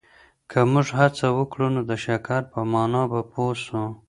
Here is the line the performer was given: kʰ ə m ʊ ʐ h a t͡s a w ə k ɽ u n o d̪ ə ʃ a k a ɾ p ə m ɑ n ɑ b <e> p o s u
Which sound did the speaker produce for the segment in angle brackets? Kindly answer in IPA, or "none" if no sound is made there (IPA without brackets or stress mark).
a